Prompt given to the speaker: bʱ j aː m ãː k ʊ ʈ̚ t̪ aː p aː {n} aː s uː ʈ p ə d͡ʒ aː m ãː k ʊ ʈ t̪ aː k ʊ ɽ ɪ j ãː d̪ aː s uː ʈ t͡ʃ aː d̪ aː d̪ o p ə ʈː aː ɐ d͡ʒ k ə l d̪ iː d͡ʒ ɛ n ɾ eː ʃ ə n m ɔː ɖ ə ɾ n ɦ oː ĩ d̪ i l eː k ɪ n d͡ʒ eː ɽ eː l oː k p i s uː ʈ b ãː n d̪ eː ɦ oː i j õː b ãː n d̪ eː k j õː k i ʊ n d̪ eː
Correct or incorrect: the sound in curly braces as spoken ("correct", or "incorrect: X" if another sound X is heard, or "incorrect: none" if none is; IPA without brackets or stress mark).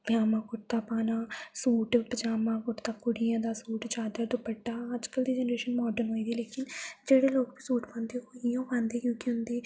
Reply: correct